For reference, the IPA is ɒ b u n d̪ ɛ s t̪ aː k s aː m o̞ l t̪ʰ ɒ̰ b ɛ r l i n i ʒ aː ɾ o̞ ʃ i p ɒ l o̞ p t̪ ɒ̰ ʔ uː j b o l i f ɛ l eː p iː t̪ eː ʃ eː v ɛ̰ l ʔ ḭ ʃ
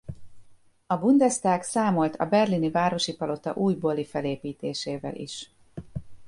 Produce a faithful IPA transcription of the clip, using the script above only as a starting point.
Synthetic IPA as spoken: ɒ b u n d̪ ɛ s t̪ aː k s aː m o̞ l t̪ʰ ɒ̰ b ɛ r l i n i v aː ɾ o̞ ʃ i p ɒ l o̞ t̪ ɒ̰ ʔ uː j b o l i f ɛ l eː p iː t̪ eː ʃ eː v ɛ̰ l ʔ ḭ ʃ